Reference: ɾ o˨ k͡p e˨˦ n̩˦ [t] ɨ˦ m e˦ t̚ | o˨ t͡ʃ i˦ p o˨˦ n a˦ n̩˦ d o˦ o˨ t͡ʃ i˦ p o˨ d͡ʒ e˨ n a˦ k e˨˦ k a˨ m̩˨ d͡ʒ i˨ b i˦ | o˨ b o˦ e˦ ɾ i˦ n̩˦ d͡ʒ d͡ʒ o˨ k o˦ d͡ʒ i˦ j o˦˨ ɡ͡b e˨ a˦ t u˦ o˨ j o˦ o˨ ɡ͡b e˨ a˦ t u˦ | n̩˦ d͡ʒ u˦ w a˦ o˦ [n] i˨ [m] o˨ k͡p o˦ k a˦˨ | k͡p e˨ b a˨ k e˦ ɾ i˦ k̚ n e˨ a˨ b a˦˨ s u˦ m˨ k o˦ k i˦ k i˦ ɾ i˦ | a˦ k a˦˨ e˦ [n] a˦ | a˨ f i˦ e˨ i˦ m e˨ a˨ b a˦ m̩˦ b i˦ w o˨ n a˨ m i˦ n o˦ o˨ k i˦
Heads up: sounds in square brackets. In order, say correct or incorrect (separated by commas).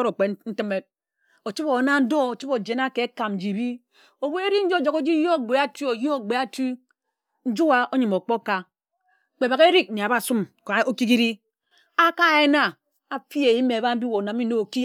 correct, incorrect, correct, correct